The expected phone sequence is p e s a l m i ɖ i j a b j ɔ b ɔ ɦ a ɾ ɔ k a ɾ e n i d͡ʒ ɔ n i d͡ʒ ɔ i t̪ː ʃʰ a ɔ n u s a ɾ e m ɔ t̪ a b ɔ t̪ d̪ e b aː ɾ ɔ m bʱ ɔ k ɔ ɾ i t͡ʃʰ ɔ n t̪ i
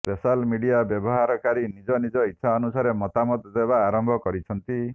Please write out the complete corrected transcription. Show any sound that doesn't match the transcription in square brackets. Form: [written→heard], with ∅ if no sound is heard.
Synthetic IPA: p e s a l m i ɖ i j a b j ɔ b ɔ ɦ a ɾ ɔ k a ɾ [e→i] n i d͡ʒ ɔ n i d͡ʒ ɔ i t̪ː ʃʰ a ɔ n u s a ɾ e m ɔ t̪ a [b→m] ɔ t̪ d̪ e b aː ɾ ɔ m bʱ ɔ k ɔ ɾ i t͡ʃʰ ɔ n t̪ i